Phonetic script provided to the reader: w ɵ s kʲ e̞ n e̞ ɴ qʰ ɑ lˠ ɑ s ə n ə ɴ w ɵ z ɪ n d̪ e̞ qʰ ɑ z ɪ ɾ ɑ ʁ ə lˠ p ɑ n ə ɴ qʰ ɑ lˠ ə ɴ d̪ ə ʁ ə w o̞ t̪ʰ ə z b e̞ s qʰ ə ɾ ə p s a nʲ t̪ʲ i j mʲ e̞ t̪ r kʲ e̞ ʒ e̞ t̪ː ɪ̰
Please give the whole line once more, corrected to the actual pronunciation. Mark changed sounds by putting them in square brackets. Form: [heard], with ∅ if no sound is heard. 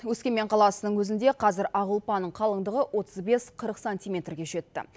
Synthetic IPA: w ɵ s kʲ e̞ [m] e̞ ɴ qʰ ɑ lˠ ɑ s ə n ə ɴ w ɵ z ɪ n d̪ e̞ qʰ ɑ z ɪ ɾ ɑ ʁ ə lˠ p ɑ n ə ɴ qʰ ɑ lˠ ə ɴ d̪ ə ʁ ə w o̞ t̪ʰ ə z b e̞ s qʰ ə ɾ ə [q] s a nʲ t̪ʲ i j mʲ e̞ t̪ r [ɡʲ] e̞ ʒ e̞ t̪ː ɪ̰